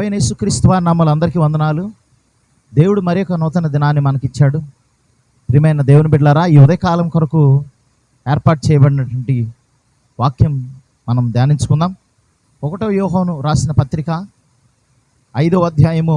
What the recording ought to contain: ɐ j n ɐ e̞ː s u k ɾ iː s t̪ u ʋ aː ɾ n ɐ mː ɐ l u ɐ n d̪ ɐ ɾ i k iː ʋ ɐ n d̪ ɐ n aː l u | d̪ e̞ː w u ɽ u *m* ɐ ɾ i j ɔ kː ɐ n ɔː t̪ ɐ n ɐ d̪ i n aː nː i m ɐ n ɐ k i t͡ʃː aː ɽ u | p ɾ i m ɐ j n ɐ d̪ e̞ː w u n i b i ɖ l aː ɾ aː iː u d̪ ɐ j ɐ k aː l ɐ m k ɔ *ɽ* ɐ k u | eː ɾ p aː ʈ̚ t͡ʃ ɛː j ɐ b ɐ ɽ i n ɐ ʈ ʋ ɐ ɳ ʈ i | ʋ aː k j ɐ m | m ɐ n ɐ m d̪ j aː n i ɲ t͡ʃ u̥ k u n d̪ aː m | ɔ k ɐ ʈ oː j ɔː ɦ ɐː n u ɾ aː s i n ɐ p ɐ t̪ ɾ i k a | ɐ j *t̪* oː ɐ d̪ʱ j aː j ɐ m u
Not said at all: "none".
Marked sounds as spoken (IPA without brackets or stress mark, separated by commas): m, ɾ, d̪